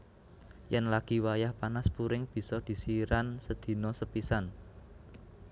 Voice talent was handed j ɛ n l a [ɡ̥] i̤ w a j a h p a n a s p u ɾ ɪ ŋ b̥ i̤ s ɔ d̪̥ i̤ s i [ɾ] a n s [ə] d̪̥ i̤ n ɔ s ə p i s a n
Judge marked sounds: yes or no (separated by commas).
yes, yes, yes